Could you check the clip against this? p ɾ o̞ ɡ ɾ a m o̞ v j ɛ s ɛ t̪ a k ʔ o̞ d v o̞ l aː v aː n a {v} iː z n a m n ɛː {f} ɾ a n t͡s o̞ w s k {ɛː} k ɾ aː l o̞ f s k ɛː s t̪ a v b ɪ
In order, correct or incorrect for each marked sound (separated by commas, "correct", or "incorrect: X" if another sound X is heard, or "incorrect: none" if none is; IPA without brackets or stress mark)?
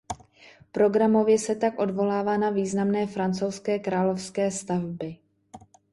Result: correct, correct, correct